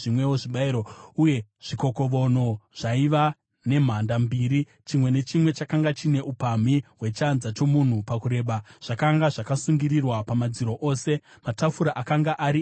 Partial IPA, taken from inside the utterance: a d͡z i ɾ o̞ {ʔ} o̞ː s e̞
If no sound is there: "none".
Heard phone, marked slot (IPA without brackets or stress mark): ʔ